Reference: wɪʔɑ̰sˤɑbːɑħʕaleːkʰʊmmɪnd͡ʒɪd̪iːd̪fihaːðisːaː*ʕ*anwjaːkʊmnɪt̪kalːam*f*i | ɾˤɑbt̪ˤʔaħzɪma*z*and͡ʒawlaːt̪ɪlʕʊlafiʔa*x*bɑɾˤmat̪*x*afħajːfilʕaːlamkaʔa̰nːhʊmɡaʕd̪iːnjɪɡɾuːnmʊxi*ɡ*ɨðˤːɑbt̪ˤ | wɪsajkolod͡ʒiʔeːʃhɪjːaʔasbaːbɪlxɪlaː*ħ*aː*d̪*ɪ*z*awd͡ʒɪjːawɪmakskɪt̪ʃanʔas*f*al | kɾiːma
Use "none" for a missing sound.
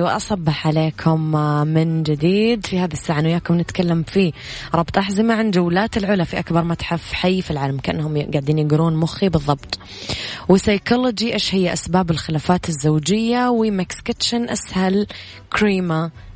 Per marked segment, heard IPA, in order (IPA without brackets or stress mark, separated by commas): ʕ, f, ʕ, k, ħ, b, f, t̪, zː, h